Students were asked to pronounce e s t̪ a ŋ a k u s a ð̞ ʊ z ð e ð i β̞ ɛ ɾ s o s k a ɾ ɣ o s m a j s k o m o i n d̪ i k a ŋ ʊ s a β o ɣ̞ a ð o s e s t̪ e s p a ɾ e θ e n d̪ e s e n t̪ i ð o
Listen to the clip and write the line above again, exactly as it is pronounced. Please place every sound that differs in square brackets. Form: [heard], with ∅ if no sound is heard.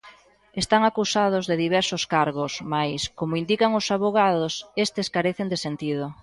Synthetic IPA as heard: e s t̪ a ŋ a k u s a ð̞ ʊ z ð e ð i β̞ ɛ ɾ s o s k a ɾ ɣ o s m a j s k o m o i n d̪ i k a ŋ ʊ s a β o ɣ̞ a ð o s e s t̪ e s [k] a ɾ e θ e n d̪ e s e n t̪ i ð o

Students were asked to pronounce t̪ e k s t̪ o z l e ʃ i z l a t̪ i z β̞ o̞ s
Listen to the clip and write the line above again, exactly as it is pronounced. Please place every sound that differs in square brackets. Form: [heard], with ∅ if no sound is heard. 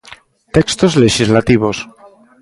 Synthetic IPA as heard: t̪ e k s t̪ o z l e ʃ i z l a t̪ i [∅] β̞ o̞ s

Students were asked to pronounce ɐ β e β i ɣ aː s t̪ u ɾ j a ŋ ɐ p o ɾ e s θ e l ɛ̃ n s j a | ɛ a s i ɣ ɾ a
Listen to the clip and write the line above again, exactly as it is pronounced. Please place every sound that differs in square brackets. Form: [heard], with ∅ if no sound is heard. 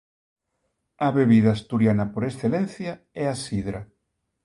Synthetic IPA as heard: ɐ β e β i [ð] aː s t̪ u ɾ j a [n] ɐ p o ɾ e s θ e l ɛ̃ n [θ] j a | ɛ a s i [ð] ɾ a

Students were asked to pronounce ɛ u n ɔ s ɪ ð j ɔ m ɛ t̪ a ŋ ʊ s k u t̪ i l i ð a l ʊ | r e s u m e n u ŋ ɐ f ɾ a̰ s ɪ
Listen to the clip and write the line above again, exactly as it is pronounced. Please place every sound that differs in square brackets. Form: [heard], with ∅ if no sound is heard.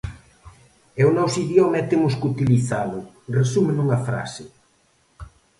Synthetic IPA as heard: ɛ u n ɔ s [i] ð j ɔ m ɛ t̪ [e] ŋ ʊ s k u t̪ i l i [θ] a l ʊ | r e s u m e n u ŋ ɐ f ɾ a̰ s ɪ

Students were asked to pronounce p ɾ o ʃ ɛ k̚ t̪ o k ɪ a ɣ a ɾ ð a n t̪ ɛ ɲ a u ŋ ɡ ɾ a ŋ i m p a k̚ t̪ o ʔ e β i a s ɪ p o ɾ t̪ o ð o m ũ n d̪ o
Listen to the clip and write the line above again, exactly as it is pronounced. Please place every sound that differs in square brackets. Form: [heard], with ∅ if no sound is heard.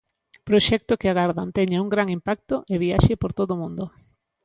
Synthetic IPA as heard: p ɾ o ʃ ɛ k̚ t̪ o k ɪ a ɣ a ɾ ð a n t̪ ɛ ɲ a u ŋ ɡ ɾ a ŋ i m p a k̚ t̪ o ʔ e β i a [ʃ] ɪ p o ɾ t̪ o ð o m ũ n d̪ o

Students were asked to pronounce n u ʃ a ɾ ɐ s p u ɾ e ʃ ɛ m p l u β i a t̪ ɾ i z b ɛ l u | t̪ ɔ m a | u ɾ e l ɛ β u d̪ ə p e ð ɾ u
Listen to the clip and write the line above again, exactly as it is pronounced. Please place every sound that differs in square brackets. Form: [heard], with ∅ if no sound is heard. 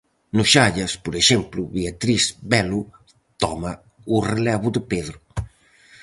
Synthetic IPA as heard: n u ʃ a [ʎ] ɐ s p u ɾ e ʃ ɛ m p l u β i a t̪ ɾ i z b ɛ l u | t̪ ɔ m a | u [r] e l ɛ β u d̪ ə p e ð ɾ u

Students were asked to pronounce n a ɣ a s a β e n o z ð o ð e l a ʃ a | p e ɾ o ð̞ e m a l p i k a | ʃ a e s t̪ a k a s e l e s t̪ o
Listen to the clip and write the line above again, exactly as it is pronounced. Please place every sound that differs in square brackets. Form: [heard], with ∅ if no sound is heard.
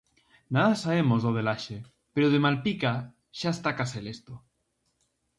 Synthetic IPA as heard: n a [ð] a s a β e [m] o z ð o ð e l a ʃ [e] | p e ɾ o ð̞ e m a l p i k a | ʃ a e s t̪ a k a s e l e s t̪ o

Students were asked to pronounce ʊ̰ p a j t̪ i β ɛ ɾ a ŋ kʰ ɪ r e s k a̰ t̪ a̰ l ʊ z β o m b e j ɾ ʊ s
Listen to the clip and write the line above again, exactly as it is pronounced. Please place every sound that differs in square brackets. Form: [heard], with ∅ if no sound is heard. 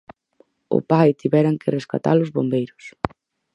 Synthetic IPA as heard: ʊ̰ p a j t̪ i β ɛ ɾ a ŋ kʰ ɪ r e s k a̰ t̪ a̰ l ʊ z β o m b e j ɾ ʊ s

